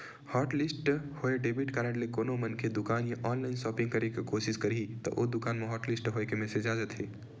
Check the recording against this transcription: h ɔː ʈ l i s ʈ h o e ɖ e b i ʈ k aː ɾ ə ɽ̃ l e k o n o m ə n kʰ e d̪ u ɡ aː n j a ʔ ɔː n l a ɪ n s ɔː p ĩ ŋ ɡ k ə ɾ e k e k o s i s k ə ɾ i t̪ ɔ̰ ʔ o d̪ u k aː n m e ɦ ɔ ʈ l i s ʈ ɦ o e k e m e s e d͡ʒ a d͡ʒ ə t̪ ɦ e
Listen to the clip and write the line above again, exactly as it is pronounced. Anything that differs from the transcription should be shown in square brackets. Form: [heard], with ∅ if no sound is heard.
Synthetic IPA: h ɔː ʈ l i s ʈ h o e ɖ e b i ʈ k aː ɾ ə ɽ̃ l e k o n o m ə n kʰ e d̪ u [k] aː n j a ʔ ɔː n l a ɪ n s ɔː p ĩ ŋ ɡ k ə ɾ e k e k o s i s k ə ɾ i t̪ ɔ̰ ʔ o d̪ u k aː n m e ɦ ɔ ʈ l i s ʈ ɦ o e k e m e s e d͡ʒ a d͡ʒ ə t̪ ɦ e